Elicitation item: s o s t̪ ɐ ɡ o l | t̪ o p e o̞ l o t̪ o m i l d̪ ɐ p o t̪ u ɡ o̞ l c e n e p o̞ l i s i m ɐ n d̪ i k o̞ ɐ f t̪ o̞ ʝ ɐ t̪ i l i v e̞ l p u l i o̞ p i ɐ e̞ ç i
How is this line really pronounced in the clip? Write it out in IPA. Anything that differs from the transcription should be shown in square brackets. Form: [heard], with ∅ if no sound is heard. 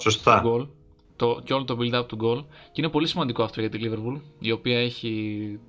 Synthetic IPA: s o s t̪ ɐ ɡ o l | t̪ o [c] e o̞ l o t̪ o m i l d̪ ɐ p o t̪ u ɡ o̞ l c [i] n e p o̞ l i s i m ɐ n d̪ i k o̞ ɐ f t̪ o̞ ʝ ɐ t̪ i l i v e̞ [ɾ] p u l i o̞ p i ɐ e̞ ç i